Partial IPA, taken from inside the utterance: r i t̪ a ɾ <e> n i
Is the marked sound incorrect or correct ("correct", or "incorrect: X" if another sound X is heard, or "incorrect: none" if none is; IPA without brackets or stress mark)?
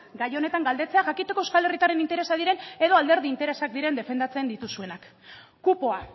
correct